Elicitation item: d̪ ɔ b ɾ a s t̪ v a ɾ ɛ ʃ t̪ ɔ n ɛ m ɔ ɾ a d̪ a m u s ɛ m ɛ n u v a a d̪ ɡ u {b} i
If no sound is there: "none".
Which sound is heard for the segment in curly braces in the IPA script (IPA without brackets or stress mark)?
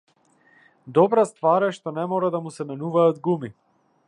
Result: m